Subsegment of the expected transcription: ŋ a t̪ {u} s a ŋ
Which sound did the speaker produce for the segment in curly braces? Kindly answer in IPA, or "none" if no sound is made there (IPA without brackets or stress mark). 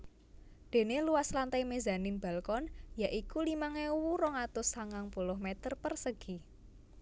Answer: ʊ